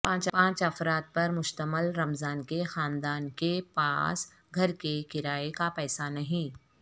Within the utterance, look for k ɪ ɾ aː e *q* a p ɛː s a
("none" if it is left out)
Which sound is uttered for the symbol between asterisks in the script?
k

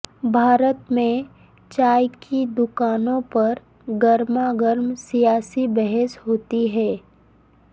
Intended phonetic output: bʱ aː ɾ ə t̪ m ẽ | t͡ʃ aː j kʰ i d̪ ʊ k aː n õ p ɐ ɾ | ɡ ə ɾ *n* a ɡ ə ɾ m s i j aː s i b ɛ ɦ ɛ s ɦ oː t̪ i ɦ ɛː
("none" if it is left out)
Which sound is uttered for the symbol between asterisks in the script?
m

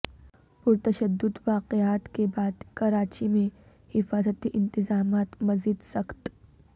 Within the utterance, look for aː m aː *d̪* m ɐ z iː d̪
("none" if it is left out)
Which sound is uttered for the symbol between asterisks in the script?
t̪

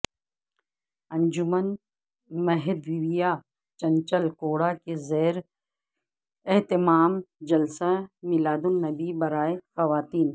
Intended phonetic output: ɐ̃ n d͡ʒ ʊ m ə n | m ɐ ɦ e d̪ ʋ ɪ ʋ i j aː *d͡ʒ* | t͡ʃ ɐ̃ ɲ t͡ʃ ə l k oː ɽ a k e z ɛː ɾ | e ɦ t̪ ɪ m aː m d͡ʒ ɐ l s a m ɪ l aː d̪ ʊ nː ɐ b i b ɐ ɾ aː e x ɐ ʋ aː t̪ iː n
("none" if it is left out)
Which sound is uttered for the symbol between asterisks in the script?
none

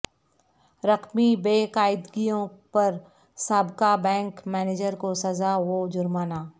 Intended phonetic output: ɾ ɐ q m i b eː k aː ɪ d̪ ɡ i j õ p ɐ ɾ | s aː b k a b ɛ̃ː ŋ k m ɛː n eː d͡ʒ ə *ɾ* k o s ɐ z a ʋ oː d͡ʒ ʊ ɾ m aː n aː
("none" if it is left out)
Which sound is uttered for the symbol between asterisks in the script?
ɾ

